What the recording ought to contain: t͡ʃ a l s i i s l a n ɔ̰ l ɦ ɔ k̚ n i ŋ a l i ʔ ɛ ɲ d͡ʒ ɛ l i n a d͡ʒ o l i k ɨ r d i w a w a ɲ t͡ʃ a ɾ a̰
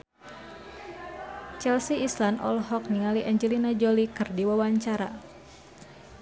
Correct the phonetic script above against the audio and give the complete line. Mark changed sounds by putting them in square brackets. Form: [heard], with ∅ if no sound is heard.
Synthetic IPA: t͡ʃ [ɛ] l s i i s l a n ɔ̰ l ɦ ɔ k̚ n i ŋ a l i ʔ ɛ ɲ d͡ʒ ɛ l i n a d͡ʒ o l i k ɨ r d i w a w a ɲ t͡ʃ a ɾ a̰